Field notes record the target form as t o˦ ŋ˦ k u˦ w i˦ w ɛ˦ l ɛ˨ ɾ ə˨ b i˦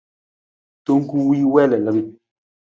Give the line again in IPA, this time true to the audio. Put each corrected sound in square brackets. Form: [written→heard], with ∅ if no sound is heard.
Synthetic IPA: t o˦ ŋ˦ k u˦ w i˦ w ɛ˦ l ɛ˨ [ɾ→l] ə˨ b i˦